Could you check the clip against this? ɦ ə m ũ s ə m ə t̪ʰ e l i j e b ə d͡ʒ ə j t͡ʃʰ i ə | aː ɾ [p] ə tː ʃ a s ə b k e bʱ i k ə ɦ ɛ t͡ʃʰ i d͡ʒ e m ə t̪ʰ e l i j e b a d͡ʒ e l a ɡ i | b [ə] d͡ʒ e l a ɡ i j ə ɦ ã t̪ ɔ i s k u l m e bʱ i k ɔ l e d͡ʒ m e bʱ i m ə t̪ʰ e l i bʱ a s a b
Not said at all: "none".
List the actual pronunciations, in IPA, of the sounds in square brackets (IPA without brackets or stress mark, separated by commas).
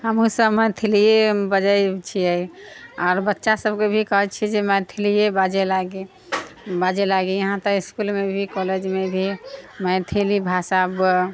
b, a